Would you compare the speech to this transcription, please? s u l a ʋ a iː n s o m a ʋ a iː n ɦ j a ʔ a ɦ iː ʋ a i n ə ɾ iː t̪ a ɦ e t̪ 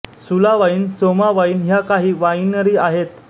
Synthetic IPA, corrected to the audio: s u l a ʋ a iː n s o m a ʋ a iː n ɦ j a k a ɦ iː ʋ a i n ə ɾ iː a ɦ e t̪